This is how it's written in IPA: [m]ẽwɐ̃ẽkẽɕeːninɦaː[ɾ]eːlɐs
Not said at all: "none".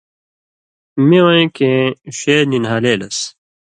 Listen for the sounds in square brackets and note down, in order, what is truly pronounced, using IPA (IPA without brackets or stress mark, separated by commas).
m, l